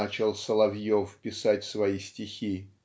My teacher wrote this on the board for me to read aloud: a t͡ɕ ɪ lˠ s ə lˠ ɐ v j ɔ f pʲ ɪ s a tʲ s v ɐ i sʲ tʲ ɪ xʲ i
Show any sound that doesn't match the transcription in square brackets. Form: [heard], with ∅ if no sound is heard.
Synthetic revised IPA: a t͡ɕ ɪ lˠ s ə lˠ ɐ v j [o] f pʲ ɪ s a tʲ s v ɐ i sʲ tʲ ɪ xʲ i